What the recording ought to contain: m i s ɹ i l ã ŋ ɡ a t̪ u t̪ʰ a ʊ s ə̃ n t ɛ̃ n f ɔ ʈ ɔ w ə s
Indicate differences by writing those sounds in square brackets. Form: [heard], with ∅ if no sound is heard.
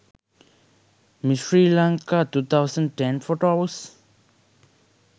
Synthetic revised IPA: m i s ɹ i l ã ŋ [k] a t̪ u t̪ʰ a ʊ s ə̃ n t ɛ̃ n f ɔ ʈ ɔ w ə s